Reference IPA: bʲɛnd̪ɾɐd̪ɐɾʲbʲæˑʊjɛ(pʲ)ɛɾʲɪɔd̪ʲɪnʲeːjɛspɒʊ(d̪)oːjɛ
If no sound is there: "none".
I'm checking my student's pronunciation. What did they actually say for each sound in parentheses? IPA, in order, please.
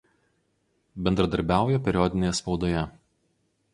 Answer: pʲ, d̪

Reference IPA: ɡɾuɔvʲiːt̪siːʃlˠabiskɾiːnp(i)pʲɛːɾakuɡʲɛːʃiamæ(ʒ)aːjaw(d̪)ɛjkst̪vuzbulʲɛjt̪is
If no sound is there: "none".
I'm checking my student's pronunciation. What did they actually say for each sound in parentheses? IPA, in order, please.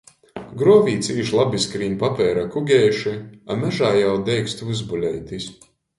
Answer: a, ʒ, d̪

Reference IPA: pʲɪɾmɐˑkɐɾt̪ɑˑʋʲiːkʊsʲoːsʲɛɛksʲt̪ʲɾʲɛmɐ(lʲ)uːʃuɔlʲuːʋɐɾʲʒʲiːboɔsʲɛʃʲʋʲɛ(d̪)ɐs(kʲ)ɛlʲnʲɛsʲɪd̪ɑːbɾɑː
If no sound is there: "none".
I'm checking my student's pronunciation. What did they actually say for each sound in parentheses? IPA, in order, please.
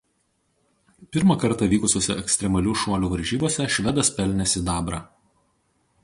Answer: lʲ, d̪, pʲ

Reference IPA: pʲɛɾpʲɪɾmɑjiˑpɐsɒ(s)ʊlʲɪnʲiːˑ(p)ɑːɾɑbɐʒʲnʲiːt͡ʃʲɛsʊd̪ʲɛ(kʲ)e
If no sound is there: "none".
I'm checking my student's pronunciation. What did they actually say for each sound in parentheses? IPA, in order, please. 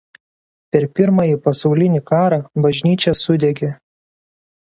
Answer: none, k, ɡʲ

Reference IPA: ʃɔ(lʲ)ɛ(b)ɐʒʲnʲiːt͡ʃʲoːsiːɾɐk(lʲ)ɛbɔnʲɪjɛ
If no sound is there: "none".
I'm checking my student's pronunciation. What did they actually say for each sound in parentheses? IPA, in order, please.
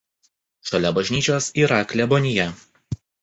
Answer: lʲ, b, lʲ

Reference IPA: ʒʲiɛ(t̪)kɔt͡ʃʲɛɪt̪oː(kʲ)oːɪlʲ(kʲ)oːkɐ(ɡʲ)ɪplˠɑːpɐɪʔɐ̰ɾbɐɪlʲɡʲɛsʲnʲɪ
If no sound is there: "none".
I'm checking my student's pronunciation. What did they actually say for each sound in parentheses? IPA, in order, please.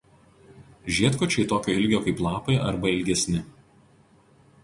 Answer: t̪, kʲ, ɡʲ, none

